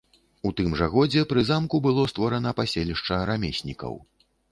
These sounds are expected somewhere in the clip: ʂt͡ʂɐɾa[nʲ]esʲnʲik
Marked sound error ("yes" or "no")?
yes